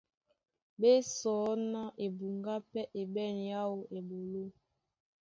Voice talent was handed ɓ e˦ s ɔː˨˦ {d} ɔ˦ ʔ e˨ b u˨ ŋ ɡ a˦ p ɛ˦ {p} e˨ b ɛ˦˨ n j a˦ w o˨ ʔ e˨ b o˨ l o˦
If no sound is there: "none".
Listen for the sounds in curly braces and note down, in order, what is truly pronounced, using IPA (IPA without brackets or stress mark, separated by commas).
n, ʔ